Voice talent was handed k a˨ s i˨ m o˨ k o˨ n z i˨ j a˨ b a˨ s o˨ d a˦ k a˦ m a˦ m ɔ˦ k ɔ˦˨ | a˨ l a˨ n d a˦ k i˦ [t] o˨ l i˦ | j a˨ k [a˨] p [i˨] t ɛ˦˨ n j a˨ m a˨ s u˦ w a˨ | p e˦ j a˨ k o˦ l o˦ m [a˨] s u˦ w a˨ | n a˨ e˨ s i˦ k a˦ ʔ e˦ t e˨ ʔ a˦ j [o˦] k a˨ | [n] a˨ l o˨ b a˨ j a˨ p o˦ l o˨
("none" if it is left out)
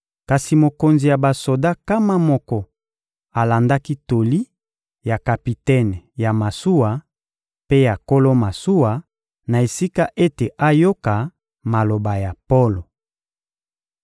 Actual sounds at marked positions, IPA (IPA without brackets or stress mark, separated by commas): t, a˨, i˨, a˨, o˦, m